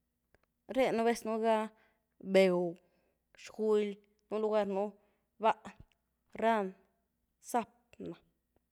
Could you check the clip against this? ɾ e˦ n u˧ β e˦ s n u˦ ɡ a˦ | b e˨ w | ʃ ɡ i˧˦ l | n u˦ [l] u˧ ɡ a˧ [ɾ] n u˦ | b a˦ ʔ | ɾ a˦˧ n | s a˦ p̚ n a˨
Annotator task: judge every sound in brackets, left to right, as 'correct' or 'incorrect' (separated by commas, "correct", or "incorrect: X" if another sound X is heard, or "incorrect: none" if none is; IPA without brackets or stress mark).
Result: correct, correct